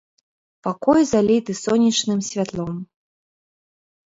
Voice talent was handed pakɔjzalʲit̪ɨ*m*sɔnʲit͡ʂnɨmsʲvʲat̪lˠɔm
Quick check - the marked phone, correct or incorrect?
incorrect